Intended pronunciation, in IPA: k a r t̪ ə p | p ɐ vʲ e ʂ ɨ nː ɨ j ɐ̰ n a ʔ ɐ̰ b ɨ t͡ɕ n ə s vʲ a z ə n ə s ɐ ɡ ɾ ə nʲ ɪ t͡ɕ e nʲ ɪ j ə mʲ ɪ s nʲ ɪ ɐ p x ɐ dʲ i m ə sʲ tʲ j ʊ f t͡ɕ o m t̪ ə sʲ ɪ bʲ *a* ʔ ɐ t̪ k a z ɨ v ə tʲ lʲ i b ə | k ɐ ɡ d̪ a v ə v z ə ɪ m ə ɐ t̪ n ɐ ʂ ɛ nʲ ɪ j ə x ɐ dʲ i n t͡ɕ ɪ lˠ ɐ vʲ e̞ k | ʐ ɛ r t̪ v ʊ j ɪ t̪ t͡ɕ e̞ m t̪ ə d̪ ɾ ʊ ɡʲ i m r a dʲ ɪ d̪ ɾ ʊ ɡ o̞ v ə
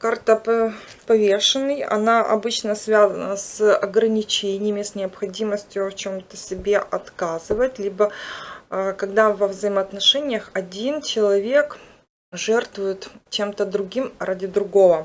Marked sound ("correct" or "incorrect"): incorrect